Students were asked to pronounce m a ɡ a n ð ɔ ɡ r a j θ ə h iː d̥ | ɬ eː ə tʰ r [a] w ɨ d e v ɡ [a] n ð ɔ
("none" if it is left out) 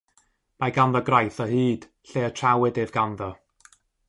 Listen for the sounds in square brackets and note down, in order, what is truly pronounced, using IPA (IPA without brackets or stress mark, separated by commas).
a, a